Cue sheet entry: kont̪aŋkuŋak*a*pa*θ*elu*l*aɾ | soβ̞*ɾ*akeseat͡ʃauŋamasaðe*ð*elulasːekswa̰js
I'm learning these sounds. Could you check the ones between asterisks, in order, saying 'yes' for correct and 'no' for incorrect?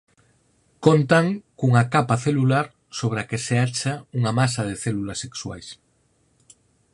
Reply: yes, yes, yes, yes, no

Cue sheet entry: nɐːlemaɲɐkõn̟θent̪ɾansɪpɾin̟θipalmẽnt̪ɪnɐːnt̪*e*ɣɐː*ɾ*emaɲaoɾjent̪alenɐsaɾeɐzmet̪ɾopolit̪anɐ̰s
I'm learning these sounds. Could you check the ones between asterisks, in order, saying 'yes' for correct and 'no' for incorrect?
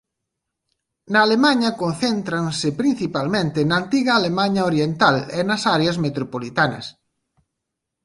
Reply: no, no

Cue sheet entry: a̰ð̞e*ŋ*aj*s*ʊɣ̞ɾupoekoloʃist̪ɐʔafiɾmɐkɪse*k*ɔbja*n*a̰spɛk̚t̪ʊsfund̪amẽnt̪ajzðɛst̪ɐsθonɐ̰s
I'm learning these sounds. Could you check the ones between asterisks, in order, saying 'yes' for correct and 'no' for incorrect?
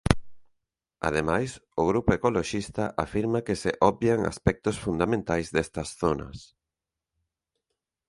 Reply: no, yes, no, no

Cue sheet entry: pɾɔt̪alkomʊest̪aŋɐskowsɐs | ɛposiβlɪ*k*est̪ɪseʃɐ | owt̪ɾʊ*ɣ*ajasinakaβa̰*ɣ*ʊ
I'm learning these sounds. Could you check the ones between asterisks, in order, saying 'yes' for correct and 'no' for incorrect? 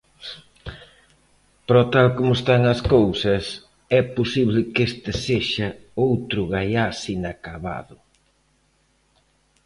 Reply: yes, yes, no

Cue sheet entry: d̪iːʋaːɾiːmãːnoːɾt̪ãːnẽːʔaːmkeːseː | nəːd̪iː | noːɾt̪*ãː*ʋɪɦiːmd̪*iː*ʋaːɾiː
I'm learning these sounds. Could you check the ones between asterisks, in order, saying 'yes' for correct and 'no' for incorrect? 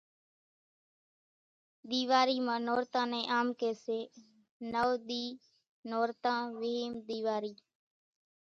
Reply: yes, yes

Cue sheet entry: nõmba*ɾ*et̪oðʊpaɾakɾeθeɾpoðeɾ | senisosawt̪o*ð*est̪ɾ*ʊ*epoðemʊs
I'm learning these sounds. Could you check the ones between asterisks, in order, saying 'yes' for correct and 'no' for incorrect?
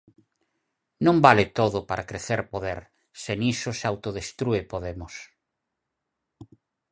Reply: no, yes, no

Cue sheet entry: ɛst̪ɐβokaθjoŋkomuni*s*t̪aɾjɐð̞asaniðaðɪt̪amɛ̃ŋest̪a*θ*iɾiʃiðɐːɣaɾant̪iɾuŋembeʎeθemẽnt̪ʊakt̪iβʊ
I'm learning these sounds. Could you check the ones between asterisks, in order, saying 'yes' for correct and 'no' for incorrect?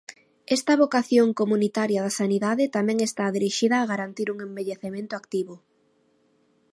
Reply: no, no

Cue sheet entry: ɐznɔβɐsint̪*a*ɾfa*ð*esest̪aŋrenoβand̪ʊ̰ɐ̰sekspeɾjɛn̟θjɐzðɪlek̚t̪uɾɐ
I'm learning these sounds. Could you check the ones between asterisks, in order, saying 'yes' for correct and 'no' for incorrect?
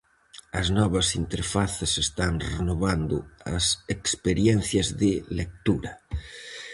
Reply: no, no

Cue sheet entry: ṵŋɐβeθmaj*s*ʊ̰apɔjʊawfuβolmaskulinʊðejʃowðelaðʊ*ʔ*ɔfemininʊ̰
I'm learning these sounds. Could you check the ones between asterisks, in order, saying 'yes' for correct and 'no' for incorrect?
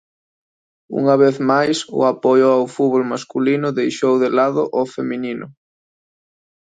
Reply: yes, yes

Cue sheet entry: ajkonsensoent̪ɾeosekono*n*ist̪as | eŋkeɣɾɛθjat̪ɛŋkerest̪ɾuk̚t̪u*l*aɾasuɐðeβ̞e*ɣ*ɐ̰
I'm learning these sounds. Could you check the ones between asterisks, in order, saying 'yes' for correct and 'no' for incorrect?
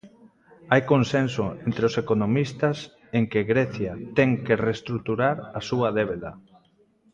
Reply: no, no, no

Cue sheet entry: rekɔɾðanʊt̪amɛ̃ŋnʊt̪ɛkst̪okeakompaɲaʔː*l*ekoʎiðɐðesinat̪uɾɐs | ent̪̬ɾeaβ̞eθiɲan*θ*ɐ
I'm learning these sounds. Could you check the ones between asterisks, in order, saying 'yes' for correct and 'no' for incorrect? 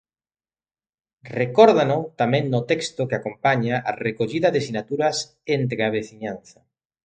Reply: no, yes

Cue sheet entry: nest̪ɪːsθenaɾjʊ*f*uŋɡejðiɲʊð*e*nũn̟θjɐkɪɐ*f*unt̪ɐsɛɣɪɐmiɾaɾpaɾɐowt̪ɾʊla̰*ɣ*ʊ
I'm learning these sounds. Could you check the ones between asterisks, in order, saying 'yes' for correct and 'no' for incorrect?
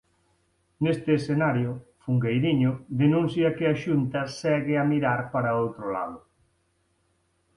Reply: yes, yes, no, no

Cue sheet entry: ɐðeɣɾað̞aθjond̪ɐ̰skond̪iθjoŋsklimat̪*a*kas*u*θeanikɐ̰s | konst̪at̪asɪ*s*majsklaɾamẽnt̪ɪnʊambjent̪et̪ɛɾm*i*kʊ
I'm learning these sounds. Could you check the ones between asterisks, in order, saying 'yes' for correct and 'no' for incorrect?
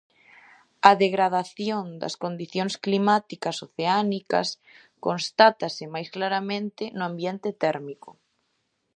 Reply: no, no, no, yes

